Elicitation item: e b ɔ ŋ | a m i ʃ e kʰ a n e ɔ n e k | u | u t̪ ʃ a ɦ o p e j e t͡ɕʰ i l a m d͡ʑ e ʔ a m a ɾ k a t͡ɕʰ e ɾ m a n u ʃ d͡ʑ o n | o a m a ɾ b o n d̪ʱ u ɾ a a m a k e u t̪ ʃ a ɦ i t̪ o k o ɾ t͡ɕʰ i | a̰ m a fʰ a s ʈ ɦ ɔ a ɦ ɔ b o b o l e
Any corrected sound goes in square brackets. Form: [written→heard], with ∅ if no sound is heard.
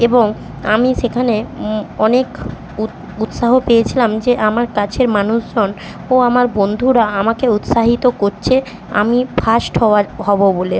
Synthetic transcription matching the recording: e b [ɔ→o] ŋ | a m i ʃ e kʰ a n e ɔ n e k | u | u t̪ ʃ a ɦ o p e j e t͡ɕʰ i l a m d͡ʑ e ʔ a m a ɾ k a t͡ɕʰ e ɾ m a n u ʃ d͡ʑ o n | o a m a ɾ b o n d̪ʱ u ɾ a a m a k e u t̪ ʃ a ɦ i t̪ o k o ɾ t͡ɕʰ [i→e] | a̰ m [a→i] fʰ a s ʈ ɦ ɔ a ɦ ɔ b o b o l e